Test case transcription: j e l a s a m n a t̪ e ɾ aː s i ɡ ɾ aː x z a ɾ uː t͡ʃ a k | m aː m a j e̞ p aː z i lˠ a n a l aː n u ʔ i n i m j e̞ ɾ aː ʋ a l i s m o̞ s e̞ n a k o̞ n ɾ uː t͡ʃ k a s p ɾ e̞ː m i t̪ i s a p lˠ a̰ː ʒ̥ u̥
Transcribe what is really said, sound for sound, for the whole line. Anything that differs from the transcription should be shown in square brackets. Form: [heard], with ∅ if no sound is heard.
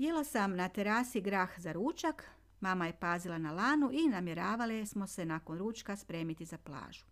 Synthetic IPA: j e l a s a m n a t̪ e ɾ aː s i ɡ ɾ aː x z a ɾ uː t͡ʃ a k | m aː m a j e̞ p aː z i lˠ a n a l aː n u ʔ i n [a] m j e̞ ɾ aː ʋ a l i s m o̞ s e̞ n a k o̞ n ɾ uː t͡ʃ k a s p ɾ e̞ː m i t̪ i [z] a p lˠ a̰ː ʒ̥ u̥